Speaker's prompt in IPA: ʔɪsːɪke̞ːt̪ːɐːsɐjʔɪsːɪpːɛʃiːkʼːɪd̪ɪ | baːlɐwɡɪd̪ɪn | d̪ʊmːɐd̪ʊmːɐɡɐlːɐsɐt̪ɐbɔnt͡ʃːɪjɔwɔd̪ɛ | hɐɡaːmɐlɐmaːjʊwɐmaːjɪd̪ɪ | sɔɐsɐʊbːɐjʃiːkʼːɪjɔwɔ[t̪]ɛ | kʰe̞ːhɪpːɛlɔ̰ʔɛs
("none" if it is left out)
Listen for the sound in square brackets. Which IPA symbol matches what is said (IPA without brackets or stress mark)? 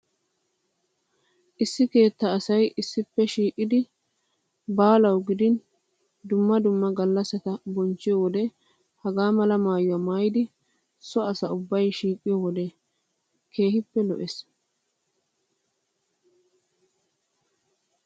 d̪